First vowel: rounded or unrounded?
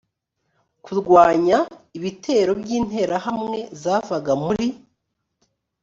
rounded